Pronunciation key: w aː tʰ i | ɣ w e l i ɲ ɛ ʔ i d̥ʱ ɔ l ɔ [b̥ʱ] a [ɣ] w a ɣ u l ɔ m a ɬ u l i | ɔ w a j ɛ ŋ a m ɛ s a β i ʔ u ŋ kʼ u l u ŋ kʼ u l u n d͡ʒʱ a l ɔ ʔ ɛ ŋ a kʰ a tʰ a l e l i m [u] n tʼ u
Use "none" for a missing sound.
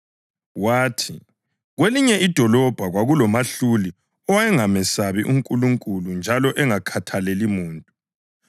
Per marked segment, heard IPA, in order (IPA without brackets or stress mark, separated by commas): b̥ʱ, ɣ, uː